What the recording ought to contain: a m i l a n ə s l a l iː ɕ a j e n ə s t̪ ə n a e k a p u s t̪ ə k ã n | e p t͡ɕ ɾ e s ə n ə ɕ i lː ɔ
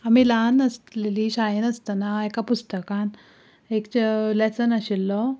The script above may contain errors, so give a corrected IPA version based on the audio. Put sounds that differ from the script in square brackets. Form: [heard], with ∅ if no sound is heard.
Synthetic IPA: a m i l a n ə s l [e] l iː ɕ a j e n ə s t̪ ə n a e k a p u s t̪ ə k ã n | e [k] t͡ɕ [l] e s ə n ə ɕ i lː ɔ